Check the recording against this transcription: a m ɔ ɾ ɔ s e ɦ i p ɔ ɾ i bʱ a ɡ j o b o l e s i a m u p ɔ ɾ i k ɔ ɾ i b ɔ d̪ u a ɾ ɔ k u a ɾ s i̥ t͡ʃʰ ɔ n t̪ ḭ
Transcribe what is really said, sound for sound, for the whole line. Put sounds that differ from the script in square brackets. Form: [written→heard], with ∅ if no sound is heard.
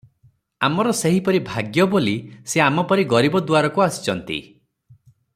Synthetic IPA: a m ɔ ɾ ɔ s e ɦ i p ɔ ɾ i bʱ a ɡ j [o→ɔ] b o l [e→i] s [i→e] a m [u→ɔ] p ɔ ɾ i [k→ɡ] ɔ ɾ i b ɔ d̪ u a ɾ ɔ k u a [ɾ→∅] s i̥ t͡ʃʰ ɔ n t̪ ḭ